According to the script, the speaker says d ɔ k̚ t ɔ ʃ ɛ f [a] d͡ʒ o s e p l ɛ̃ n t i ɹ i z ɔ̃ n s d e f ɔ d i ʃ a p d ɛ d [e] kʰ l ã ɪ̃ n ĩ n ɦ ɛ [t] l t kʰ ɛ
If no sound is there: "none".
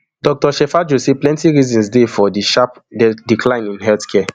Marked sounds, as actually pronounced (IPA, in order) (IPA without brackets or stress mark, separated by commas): a, i, none